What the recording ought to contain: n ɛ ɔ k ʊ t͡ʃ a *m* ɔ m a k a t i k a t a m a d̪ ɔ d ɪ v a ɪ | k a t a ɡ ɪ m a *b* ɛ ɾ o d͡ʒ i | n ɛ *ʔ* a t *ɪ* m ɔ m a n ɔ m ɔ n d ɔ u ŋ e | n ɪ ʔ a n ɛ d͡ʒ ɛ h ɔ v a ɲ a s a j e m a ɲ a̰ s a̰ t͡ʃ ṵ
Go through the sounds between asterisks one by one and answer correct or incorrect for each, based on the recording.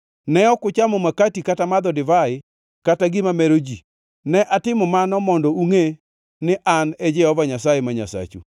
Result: correct, incorrect, correct, correct

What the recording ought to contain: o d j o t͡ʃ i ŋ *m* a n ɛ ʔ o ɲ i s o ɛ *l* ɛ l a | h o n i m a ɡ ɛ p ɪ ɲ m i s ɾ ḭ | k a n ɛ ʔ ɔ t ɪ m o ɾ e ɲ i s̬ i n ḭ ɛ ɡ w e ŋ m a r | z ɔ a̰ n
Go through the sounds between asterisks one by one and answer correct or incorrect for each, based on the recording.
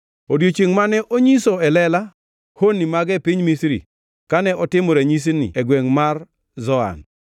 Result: correct, correct

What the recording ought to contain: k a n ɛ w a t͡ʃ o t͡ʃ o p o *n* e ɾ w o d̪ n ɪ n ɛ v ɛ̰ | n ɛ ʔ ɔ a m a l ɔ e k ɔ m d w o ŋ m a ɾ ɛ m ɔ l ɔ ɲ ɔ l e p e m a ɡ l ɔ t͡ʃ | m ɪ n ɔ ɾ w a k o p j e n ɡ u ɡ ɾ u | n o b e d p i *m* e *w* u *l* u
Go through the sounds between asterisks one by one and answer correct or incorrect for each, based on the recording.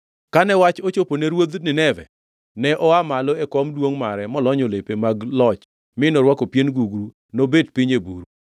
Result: correct, incorrect, incorrect, incorrect

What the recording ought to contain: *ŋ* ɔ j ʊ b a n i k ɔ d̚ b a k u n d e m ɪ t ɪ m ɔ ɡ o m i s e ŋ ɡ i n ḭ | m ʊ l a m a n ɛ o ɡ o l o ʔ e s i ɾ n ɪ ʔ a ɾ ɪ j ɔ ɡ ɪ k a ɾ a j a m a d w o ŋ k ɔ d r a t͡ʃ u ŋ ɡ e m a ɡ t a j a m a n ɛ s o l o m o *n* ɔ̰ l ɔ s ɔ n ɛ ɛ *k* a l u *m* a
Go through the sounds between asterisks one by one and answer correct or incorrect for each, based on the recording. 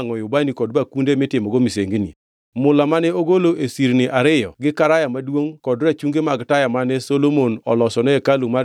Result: correct, correct, correct, correct

